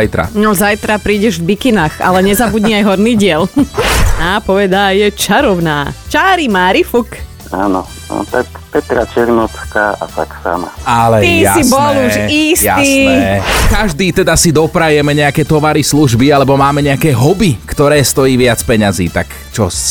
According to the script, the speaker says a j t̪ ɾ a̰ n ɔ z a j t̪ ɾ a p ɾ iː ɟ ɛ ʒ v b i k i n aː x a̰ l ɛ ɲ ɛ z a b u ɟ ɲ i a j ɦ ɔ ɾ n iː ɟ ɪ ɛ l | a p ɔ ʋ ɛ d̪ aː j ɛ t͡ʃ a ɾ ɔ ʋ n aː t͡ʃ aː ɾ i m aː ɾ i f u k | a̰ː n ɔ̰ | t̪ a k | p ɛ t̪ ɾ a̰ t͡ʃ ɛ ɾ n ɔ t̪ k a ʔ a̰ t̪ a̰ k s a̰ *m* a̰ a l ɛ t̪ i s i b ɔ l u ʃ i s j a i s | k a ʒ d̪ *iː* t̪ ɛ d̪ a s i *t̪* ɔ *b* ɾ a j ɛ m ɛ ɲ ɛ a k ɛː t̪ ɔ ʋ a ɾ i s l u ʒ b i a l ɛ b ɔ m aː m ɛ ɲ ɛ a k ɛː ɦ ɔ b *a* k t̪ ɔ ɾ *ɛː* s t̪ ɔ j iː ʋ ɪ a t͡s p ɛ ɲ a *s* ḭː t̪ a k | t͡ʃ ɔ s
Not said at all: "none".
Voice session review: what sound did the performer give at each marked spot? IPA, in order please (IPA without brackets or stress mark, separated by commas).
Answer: m, iː, d̪, p, i, ɛː, z